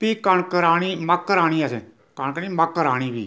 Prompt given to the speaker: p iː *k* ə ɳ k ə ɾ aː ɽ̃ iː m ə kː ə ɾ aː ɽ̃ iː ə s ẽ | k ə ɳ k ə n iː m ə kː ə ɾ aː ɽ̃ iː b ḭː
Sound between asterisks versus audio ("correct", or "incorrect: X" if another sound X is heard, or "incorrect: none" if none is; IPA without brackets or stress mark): correct